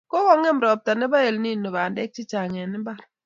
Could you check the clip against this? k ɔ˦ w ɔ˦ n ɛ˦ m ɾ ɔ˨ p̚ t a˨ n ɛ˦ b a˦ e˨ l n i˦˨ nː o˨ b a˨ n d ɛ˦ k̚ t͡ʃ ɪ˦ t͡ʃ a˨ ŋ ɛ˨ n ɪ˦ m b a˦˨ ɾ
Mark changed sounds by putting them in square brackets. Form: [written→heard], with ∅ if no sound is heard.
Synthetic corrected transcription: k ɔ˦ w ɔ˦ [n→ŋ] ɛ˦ m ɾ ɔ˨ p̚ t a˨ n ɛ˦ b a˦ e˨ l n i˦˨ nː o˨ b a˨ n d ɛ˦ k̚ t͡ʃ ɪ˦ t͡ʃ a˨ ŋ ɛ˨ n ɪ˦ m b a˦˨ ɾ